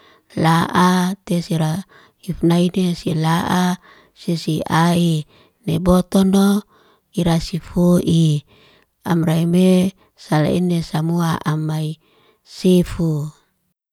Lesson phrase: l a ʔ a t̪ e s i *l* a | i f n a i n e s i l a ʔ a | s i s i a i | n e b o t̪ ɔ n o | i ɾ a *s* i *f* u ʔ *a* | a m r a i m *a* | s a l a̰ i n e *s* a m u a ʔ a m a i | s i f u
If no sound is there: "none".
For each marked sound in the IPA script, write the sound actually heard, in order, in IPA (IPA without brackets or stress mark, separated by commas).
ɾ, s, f, i, e, s